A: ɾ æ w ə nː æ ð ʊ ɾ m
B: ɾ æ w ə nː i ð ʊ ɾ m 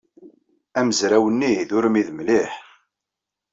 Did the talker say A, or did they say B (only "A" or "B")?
B